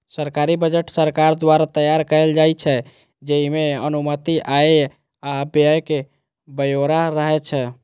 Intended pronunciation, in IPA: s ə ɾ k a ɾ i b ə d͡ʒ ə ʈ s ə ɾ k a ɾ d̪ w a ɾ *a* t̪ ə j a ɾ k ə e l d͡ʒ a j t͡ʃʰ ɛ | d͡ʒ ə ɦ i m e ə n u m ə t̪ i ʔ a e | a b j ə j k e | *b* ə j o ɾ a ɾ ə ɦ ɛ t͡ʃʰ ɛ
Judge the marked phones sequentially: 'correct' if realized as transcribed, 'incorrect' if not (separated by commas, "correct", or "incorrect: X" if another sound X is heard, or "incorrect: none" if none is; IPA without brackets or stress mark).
correct, correct